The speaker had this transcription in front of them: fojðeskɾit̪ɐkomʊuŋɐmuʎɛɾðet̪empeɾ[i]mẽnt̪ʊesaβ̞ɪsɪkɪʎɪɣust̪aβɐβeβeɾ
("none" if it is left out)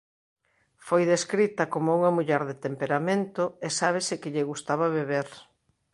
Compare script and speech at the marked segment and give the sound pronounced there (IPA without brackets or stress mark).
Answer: a